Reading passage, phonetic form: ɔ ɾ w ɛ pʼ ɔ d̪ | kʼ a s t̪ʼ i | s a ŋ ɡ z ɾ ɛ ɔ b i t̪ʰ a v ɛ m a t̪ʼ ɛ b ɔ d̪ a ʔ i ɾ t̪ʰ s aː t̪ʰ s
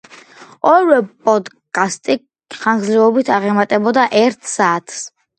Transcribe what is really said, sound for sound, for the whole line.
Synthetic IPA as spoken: ɔ ɾ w ɛ pʼ ɔ d̪ | kʼ a s t̪ʼ i | χ a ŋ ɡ z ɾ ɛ ɔ b i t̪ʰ a ʁ ɛ m a t̪ʼ ɛ b ɔ d̪ a ʔ ɛ ɾ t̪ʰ s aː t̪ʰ s